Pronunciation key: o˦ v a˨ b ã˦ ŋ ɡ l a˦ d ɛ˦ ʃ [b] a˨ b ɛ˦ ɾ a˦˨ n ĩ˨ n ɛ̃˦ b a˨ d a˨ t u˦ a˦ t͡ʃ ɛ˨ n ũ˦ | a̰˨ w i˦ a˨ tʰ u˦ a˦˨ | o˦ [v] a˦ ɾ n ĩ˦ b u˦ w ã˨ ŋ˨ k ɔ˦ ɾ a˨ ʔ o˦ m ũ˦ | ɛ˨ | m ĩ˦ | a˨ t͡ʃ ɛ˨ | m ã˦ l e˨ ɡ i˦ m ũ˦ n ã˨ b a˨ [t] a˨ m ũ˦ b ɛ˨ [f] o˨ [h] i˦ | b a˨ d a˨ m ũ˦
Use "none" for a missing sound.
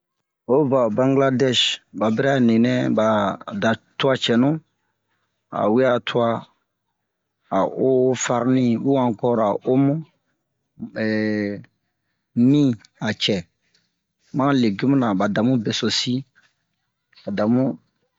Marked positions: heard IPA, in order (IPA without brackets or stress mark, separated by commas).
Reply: b, f, d, s, s